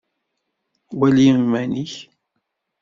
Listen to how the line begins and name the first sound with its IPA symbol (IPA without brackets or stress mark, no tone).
w